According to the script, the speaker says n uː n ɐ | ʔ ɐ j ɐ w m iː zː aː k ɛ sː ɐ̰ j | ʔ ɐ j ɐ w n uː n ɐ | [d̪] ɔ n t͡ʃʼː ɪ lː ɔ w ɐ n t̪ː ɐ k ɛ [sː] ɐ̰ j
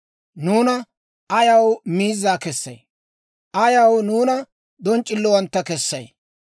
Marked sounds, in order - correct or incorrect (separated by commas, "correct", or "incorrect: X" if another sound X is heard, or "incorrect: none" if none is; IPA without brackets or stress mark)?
correct, correct